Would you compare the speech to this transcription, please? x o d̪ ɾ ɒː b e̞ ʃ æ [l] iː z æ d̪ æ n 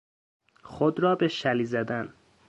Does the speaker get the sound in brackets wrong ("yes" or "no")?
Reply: no